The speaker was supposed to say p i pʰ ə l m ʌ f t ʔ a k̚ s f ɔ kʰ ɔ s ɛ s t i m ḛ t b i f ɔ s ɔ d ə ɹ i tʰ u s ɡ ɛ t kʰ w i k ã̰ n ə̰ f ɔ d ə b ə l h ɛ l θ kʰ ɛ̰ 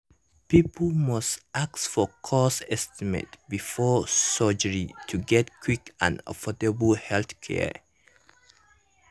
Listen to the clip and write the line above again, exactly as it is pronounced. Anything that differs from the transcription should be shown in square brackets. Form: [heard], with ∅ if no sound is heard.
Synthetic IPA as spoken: p i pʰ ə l m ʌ [s] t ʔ a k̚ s f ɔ kʰ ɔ s ɛ s t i m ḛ t b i f ɔ s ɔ [d͡ʒ] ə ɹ i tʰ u [∅] ɡ ɛ t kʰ w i k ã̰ n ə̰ f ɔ d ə b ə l h ɛ l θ kʰ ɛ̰